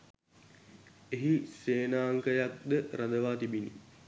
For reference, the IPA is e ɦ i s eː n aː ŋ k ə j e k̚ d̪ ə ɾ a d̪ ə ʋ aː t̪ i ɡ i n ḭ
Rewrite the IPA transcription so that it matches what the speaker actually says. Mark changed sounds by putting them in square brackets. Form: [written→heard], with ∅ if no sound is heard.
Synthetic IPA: e ɦ i s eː n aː ŋ k ə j [e→a] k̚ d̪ ə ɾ a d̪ ə ʋ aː t̪ i [ɡ→b] i n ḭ